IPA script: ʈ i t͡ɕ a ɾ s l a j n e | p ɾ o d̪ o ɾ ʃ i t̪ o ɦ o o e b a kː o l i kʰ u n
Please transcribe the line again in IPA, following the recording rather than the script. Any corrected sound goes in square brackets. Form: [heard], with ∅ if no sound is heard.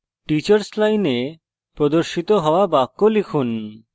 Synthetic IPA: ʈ i t͡ɕ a ɾ s l a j n e | p ɾ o d̪ o ɾ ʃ i t̪ o ɦ [ɔ] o [a] b a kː o l i kʰ u n